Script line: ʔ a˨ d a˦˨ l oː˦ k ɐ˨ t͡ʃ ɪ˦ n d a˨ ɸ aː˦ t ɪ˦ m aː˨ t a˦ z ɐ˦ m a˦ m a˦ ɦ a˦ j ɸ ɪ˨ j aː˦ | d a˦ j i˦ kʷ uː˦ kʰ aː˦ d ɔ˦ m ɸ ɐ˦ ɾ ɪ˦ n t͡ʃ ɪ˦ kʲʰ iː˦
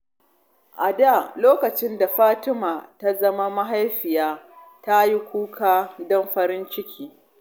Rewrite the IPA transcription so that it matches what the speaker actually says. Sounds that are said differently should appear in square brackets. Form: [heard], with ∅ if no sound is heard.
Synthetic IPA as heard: ʔ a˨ d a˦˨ l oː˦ k ɐ˨ t͡ʃ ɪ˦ n d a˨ ɸ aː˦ t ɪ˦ m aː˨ t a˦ z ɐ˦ m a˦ m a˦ ɦ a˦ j ɸ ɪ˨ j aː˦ | [t] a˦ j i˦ kʷ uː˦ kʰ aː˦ d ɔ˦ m ɸ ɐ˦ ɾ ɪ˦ n t͡ʃ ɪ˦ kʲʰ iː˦